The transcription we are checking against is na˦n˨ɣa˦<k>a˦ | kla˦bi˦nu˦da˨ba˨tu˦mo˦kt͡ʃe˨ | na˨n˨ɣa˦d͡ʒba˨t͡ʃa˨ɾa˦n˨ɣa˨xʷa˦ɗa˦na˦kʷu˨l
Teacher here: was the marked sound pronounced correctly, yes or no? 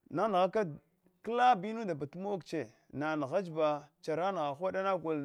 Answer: yes